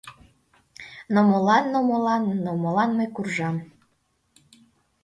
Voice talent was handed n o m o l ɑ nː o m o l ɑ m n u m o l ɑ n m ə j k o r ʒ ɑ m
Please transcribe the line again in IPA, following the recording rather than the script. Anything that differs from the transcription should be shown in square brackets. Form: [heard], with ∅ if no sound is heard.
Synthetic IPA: n o m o l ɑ nː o m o l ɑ [n] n [o] m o l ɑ n m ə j k [u] r ʒ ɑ m